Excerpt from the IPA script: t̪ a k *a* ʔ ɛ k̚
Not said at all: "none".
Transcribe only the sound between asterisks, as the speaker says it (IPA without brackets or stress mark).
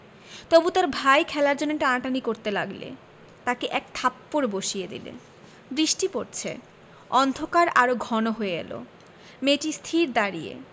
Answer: e